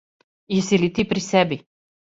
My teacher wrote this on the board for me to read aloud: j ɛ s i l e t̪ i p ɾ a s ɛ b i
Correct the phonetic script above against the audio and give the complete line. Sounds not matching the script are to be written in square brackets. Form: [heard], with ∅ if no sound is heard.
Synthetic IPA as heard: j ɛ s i l [i] t̪ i p ɾ [i] s ɛ b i